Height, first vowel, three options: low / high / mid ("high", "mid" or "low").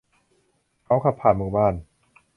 low